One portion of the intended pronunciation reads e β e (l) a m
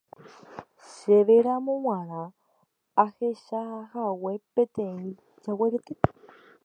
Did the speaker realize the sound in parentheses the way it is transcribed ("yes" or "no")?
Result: no